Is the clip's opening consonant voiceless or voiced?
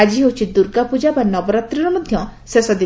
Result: voiced